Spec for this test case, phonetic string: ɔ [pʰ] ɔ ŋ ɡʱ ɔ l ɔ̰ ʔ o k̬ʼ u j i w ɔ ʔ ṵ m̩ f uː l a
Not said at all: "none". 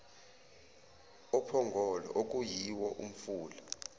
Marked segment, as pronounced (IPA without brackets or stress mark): pʰ